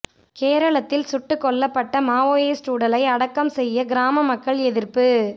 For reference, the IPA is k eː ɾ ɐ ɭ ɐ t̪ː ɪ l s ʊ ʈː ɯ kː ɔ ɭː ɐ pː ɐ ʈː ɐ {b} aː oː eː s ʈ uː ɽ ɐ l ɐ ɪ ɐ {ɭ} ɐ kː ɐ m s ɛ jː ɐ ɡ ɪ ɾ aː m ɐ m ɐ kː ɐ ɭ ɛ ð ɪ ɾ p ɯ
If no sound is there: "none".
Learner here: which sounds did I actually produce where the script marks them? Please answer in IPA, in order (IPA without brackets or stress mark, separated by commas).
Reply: m, ɽ